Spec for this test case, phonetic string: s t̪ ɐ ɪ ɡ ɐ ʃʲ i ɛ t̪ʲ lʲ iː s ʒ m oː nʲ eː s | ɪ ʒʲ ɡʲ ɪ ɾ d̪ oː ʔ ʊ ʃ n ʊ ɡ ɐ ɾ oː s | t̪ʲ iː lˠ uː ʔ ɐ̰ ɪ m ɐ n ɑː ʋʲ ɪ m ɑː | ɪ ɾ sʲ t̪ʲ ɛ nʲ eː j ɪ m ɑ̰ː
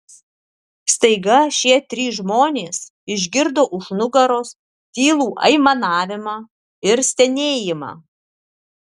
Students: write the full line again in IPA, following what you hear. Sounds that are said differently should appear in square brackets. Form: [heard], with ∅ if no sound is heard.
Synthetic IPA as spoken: s t̪ ɐ ɪ ɡ ɐ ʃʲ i ɛ t̪ʲ [ɾʲ] iː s ʒ m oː nʲ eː s | ɪ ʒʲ ɡʲ ɪ ɾ d̪ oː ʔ ʊ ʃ n ʊ ɡ ɐ ɾ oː s | t̪ʲ iː lˠ uː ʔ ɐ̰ ɪ m ɐ n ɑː ʋʲ ɪ m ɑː | ɪ ɾ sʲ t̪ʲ ɛ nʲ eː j ɪ m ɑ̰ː

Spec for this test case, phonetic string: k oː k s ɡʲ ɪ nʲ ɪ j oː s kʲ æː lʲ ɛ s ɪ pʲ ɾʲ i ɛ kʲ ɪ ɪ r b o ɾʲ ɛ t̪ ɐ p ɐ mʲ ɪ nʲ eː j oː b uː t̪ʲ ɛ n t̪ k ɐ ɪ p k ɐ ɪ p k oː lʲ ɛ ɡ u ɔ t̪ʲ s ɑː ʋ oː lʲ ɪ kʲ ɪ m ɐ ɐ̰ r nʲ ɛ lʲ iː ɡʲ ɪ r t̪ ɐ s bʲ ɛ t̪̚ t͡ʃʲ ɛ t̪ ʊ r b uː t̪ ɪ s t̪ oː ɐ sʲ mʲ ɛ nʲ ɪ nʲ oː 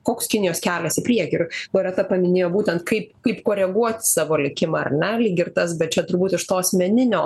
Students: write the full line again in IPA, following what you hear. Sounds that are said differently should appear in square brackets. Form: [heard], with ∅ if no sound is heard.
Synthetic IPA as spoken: k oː k s [kʲ] ɪ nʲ ɪ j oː s kʲ æː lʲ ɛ s ɪ pʲ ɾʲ i ɛ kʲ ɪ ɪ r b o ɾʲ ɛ t̪ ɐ p ɐ mʲ ɪ nʲ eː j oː b uː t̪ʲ ɛ n t̪ k ɐ ɪ p k ɐ ɪ p k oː [ɾʲ] ɛ ɡ u ɔ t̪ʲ s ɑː ʋ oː lʲ ɪ kʲ ɪ m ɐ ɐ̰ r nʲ ɛ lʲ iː ɡʲ ɪ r t̪ ɐ s bʲ ɛ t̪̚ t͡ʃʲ ɛ t̪ ʊ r b uː t̪ ɪ [ʃ] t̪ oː ɐ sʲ mʲ ɛ nʲ ɪ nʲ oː

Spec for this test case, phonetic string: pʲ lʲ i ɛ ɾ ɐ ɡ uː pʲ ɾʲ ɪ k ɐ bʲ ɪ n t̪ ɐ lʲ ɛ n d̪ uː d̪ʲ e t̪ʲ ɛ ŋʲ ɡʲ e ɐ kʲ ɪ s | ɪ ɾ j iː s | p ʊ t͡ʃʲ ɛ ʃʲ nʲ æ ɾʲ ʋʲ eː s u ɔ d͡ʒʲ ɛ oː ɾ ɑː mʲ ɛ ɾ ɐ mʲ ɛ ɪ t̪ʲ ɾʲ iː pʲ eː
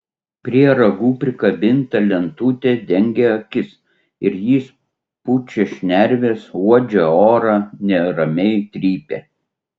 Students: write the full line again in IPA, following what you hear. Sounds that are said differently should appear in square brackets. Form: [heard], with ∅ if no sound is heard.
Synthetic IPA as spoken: pʲ [ɾʲ] i ɛ ɾ ɐ ɡ uː pʲ ɾʲ ɪ k ɐ bʲ ɪ n t̪ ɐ lʲ ɛ n [t̪] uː [t̪ʲ] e [d̪ʲ] ɛ ŋʲ ɡʲ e ɐ kʲ ɪ s | ɪ ɾ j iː s | p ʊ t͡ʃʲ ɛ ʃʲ nʲ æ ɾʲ ʋʲ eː s u ɔ d͡ʒʲ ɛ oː ɾ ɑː [nʲ] ɛ ɾ ɐ mʲ ɛ ɪ t̪ʲ ɾʲ iː pʲ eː

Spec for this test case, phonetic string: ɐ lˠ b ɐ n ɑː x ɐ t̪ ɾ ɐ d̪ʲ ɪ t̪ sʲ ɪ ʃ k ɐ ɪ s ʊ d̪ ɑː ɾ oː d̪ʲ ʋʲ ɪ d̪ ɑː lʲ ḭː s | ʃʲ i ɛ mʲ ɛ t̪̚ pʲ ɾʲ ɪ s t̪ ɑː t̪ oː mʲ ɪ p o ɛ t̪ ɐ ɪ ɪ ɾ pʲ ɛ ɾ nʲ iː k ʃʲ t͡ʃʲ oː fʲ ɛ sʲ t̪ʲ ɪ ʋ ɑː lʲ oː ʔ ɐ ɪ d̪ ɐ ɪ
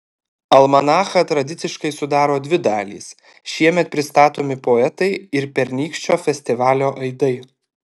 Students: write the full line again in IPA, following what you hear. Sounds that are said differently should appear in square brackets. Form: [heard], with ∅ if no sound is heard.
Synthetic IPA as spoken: ɐ lˠ [m] ɐ n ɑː x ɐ t̪ ɾ ɐ d̪ʲ ɪ t̪ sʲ ɪ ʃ k ɐ ɪ s ʊ d̪ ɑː ɾ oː d̪ʲ ʋʲ ɪ d̪ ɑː lʲ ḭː s | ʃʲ i ɛ mʲ ɛ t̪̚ pʲ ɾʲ ɪ s t̪ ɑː t̪ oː mʲ ɪ p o ɛ t̪ ɐ ɪ ɪ ɾ pʲ ɛ ɾ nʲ iː k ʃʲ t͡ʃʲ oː fʲ ɛ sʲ t̪ʲ ɪ ʋ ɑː lʲ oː ʔ ɐ ɪ d̪ ɐ ɪ

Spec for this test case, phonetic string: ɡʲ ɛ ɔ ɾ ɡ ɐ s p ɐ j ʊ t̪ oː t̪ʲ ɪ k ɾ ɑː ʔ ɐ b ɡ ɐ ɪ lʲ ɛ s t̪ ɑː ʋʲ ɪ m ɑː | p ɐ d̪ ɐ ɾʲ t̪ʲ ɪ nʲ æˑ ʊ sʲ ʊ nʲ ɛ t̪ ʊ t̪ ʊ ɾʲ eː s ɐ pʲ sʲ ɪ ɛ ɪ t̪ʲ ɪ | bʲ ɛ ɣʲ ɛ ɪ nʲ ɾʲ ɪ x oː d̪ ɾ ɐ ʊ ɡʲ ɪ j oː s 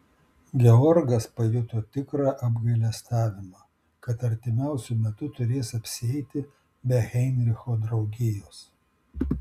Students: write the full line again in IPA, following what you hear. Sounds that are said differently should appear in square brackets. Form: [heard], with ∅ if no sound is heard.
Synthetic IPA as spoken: ɡʲ ɛ ɔ ɾ ɡ ɐ s p ɐ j ʊ t̪ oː t̪ʲ ɪ k ɾ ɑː ʔ ɐ b ɡ ɐ ɪ lʲ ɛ s t̪ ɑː ʋʲ ɪ m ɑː | [k] ɐ [t̪] ɐ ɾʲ t̪ʲ ɪ [mʲ] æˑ ʊ sʲ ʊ [mʲ] ɛ t̪ ʊ t̪ ʊ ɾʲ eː s ɐ pʲ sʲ ɪ ɛ ɪ t̪ʲ ɪ | bʲ ɛ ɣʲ ɛ ɪ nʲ ɾʲ ɪ x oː d̪ ɾ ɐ ʊ ɡʲ ɪ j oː s

